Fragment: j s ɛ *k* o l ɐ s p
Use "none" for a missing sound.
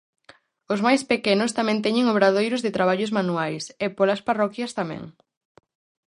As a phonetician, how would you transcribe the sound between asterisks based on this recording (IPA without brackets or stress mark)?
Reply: p